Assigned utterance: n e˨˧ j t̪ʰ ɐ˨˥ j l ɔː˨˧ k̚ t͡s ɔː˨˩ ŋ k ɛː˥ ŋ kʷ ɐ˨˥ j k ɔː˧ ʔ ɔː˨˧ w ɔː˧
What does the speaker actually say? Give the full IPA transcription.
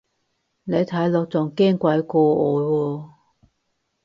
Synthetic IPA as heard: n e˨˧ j t̪ʰ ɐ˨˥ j l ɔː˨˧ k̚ t͡s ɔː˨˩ ŋ k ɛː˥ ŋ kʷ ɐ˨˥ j k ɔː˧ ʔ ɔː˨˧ w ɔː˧

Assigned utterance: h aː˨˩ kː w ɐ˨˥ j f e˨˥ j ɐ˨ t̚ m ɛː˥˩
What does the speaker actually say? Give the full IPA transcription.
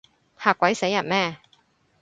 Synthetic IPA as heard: h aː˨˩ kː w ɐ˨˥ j s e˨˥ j ɐ˨ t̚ m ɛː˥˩

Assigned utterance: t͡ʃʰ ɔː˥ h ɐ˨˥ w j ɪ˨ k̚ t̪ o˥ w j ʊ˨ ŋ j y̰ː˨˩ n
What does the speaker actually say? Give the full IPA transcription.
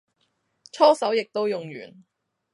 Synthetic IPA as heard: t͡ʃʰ ɔː˥ s ɐ˨˥ w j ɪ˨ k̚ t̪ o˥ w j ʊ˨ ŋ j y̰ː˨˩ n

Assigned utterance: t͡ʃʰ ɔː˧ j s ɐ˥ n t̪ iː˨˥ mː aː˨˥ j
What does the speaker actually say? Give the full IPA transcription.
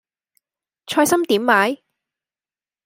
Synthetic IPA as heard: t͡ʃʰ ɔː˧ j s ɐ˥ m t̪ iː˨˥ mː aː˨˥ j

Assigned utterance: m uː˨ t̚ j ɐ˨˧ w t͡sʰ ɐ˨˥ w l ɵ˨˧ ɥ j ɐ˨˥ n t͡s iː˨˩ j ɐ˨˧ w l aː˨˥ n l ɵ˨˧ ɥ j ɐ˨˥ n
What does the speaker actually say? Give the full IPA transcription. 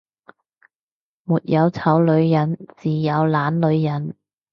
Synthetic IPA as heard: m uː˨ t̚ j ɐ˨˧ w t͡sʰ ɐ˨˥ w l ɵ˨˧ ɥ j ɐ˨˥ n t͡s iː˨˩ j ɐ˨˧ w l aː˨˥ n l ɵ˨˧ ɥ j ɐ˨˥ n

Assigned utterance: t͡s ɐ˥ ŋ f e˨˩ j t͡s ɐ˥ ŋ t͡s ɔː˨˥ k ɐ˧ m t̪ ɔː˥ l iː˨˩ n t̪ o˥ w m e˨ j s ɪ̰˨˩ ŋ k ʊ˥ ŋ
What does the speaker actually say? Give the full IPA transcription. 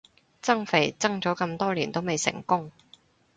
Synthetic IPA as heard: t͡s ɐ˥ ŋ f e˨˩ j t͡s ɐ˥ ŋ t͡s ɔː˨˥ k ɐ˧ m t̪ ɔː˥ l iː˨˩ n t̪ o˥ w m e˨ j s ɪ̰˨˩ ŋ k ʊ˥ ŋ

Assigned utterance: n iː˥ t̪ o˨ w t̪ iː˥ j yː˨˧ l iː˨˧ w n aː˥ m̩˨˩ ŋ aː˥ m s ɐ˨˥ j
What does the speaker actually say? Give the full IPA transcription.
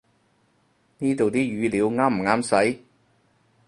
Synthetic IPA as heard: n iː˥ t̪ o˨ w t̪ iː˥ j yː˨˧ l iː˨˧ w ŋ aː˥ m̩˨˩ ŋ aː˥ m s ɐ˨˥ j

